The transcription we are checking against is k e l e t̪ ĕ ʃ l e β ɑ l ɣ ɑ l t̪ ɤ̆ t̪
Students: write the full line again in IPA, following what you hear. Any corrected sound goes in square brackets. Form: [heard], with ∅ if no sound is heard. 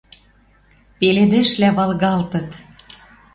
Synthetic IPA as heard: [p] e l e [d̪] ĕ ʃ l [æ] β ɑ l ɣ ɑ l t̪ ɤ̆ t̪